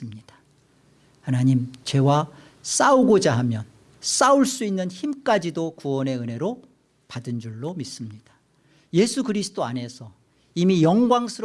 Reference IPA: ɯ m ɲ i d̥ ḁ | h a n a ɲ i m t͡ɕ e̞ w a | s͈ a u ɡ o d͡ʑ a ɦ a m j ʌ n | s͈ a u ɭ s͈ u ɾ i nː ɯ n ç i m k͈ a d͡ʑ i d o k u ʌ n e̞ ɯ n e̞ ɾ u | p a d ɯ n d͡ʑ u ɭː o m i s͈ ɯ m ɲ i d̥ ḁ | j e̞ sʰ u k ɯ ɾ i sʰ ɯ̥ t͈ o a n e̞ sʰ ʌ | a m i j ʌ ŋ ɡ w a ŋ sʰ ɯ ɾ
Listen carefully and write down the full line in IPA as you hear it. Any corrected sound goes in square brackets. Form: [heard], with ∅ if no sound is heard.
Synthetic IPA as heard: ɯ m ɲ i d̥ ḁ | h a n a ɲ i m t͡ɕ e̞ w a | s͈ a u ɡ o d͡ʑ a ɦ a m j ʌ n | s͈ a u ɭ s͈ u [∅] i nː ɯ n ç i m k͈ a d͡ʑ i d o k u ʌ n e̞ ɯ n e̞ ɾ [o] | p a d ɯ n d͡ʑ u ɭː o m i s͈ ɯ m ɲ i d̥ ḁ | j e̞ sʰ u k ɯ ɾ i sʰ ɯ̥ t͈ o a n e̞ sʰ ʌ | [i] m i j ʌ ŋ ɡ w a ŋ sʰ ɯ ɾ